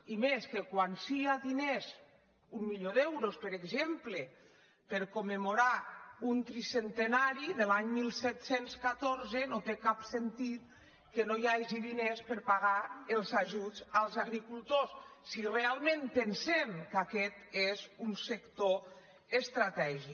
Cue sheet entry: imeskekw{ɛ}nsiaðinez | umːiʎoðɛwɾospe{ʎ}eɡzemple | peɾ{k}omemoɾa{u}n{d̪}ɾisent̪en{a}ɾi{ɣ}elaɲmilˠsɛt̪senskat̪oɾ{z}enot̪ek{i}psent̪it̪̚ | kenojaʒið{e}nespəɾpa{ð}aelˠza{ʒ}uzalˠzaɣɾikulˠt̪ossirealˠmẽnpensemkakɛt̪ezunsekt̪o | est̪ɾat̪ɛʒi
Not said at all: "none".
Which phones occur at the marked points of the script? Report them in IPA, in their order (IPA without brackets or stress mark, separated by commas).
a, ɾ, k, u, t̪, a, ð, z, a, i, ɣ, ʒ